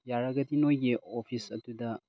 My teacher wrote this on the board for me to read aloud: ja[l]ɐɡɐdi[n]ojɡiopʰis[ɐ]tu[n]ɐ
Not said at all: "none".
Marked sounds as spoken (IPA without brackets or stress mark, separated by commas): ɾ, n, ɐ, d